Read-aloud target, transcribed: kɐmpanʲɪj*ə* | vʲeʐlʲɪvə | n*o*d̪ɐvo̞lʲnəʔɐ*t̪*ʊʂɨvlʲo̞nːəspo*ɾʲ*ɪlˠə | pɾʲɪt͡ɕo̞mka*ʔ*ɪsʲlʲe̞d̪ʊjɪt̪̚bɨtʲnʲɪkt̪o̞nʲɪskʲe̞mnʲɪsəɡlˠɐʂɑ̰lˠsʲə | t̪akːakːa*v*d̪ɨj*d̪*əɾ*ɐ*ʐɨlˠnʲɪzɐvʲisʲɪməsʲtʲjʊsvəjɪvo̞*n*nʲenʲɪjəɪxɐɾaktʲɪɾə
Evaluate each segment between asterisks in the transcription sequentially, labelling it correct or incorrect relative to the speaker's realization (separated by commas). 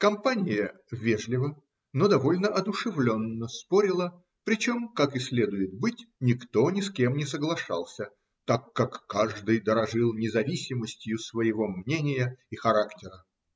correct, correct, incorrect, correct, incorrect, incorrect, correct, correct, incorrect